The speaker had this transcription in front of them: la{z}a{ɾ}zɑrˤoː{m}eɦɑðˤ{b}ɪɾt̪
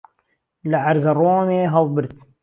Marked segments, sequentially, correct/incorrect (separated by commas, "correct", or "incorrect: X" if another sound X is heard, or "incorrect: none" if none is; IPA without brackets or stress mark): incorrect: ʕ, correct, correct, correct